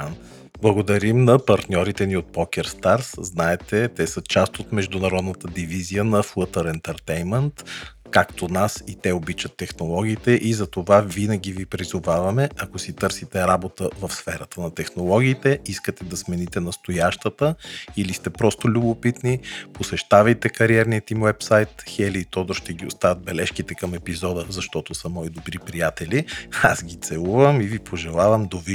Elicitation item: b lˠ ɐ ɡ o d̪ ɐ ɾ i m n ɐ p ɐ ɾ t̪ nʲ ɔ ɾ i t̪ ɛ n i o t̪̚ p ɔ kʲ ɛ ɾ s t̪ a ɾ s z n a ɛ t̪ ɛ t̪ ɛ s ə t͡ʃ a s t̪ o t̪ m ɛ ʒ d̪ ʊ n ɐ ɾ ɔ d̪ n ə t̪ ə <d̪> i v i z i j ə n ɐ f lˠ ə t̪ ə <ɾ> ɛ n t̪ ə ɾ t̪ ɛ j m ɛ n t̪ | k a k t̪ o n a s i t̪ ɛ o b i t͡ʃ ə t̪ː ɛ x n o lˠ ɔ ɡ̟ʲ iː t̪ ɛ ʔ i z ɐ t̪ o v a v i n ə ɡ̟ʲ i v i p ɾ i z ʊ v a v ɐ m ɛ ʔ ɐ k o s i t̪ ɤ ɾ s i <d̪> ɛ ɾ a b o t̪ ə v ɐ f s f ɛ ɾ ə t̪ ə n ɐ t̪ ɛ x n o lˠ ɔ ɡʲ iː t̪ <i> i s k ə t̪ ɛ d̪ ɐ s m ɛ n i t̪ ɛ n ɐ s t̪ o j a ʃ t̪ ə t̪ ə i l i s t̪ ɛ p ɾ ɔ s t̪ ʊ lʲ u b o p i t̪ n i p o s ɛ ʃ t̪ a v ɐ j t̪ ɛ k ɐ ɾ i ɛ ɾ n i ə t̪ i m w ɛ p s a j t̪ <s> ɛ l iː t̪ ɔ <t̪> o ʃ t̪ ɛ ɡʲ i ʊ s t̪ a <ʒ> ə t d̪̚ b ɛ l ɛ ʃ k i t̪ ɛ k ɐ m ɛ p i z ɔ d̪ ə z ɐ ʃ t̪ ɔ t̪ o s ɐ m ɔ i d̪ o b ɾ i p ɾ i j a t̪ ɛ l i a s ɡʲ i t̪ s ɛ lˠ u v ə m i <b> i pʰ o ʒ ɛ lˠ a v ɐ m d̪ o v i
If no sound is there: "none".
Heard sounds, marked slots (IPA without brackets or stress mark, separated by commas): d̪, ɾ, t̪, ɛ, x, d̪, v, v